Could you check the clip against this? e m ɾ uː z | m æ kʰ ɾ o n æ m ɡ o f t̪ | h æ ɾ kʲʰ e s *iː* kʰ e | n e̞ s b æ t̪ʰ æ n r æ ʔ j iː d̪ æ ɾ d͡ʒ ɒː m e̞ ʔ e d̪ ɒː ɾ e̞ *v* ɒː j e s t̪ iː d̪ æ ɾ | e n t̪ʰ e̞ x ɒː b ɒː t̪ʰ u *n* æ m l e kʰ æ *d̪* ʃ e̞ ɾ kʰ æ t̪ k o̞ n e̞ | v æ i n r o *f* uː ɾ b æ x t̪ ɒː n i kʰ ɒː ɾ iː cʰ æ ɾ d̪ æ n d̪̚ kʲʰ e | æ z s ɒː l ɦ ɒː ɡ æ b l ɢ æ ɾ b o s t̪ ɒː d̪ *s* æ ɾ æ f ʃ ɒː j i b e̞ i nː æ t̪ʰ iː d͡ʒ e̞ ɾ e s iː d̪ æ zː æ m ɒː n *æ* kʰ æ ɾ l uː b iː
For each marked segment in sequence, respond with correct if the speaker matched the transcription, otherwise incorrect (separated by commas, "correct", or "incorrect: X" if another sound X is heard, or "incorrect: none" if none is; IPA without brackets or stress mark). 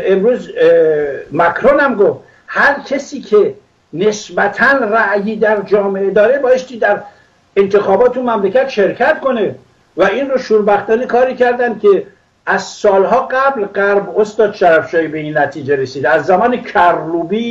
correct, incorrect: b, incorrect: m, incorrect: t̪, incorrect: ʃ, incorrect: ʃ, incorrect: e